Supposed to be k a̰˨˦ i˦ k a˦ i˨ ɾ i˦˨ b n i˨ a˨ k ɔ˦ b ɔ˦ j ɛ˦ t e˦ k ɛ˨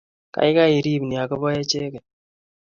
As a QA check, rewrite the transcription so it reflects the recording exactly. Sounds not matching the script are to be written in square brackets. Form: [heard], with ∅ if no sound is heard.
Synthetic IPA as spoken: k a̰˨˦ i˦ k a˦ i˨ ɾ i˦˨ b n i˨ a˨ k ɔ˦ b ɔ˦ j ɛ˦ [t͡ʃ] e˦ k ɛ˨

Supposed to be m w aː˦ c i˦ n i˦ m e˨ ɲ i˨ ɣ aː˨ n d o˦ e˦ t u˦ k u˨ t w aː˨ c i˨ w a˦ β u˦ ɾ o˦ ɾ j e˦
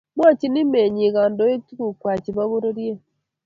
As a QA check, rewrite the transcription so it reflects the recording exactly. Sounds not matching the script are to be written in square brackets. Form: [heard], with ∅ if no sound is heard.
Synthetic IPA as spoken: m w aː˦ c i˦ n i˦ m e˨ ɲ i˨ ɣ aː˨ n d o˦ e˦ t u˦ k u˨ [k] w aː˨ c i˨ [β] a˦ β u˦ ɾ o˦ ɾ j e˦

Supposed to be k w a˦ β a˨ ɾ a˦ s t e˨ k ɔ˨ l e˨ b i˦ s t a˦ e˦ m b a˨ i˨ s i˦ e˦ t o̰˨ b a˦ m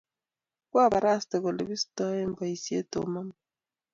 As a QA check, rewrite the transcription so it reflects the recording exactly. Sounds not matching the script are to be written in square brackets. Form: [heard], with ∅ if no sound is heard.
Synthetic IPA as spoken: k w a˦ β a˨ ɾ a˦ s t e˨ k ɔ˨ l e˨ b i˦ s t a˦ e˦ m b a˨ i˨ s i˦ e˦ t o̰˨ [m] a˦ m

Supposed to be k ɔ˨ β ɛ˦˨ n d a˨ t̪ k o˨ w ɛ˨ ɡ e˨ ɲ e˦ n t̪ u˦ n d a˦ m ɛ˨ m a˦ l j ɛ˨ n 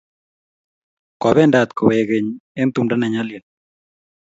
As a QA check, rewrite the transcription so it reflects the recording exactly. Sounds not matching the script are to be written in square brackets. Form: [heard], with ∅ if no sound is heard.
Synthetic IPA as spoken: k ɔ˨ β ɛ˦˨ n d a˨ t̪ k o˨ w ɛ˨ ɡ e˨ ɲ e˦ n t̪ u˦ [m] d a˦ [n] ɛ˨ [ɲ] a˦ l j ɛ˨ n

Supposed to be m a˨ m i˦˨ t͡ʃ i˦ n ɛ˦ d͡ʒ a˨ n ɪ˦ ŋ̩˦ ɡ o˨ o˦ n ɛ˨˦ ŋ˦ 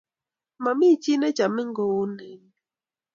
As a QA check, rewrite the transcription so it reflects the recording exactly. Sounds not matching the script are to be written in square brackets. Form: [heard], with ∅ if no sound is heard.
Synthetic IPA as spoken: m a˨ m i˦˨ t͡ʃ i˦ n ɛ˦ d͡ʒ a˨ [m] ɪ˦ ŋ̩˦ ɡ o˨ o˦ n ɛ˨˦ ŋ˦

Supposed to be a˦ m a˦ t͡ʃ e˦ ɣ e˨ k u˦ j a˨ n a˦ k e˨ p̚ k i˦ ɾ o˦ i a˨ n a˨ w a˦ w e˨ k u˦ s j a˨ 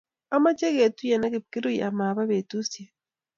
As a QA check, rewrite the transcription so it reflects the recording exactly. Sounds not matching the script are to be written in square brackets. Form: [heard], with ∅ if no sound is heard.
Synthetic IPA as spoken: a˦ m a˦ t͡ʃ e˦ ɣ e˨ [t] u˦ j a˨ n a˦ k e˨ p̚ k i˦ ɾ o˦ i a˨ [m] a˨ [β] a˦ [β] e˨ [t] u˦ s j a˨

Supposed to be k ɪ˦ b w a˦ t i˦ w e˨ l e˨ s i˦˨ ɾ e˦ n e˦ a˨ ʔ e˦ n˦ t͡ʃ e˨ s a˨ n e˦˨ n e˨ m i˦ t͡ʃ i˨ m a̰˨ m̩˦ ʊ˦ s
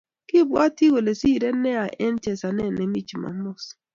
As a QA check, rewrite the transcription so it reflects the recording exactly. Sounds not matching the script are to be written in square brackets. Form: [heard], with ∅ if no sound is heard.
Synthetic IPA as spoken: k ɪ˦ b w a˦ t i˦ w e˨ l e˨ s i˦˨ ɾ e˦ n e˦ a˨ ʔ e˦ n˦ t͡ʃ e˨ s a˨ n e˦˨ n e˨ m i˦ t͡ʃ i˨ m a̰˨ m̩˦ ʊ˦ s

